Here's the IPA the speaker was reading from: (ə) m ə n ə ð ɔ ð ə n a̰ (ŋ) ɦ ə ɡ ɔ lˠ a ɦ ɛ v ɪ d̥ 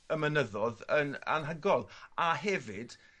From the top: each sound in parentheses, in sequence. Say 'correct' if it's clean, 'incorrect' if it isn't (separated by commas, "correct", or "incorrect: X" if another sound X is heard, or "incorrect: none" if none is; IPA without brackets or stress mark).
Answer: correct, incorrect: n